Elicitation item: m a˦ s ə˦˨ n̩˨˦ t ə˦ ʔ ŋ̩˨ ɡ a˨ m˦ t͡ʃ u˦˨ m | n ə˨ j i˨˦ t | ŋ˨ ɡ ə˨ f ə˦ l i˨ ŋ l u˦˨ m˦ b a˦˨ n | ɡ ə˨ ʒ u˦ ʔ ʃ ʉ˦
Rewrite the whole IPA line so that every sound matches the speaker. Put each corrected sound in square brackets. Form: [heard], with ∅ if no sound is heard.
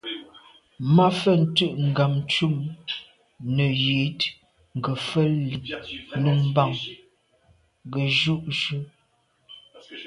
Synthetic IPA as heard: m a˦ [f] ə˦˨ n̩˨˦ t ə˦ ʔ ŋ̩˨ ɡ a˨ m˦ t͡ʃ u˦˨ m | n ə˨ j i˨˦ t | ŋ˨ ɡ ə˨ f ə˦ l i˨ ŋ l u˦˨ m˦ b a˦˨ [ŋ] | ɡ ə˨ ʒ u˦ ʔ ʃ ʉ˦